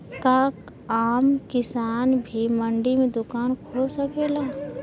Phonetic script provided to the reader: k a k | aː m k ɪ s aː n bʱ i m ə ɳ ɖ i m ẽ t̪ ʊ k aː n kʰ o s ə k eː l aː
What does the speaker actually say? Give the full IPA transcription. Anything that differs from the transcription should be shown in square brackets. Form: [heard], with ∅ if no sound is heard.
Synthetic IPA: k a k | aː m k ɪ s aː n bʱ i m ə ɳ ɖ i m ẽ [d̪] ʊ k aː n kʰ o s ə k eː l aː